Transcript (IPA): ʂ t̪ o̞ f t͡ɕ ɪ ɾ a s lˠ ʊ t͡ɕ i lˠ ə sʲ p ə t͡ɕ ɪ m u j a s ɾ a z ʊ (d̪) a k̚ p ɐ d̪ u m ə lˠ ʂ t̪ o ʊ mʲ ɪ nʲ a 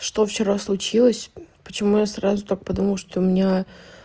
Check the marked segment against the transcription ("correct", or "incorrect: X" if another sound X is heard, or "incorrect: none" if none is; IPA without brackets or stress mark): incorrect: t̪